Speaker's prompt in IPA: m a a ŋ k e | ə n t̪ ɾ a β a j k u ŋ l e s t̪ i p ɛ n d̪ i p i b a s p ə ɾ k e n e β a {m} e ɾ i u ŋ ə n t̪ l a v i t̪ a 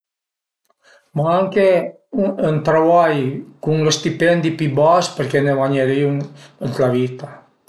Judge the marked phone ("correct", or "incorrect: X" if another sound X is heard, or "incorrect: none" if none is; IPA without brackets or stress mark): incorrect: ɲ